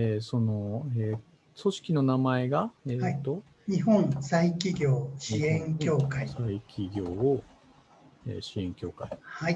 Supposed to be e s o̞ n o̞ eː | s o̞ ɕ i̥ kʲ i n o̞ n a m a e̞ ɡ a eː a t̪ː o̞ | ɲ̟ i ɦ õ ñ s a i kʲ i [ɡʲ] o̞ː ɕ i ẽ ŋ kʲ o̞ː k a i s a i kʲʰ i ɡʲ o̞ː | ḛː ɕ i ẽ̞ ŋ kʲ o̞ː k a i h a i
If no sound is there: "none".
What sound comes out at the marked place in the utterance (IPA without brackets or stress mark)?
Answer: ɡʲ